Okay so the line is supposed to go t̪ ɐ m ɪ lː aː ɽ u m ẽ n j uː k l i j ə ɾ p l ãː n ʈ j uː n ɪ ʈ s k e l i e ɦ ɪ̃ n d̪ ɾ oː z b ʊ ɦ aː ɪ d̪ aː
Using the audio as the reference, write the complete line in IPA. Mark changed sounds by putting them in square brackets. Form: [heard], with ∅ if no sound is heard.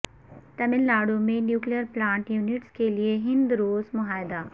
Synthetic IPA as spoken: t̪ ɐ m ɪ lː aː ɽ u m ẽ n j uː k l i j ə ɾ p l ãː [ɳ] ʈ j uː n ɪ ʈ s k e l i e ɦ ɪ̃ n d̪ ɾ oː z [m] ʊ ɦ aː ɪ d̪ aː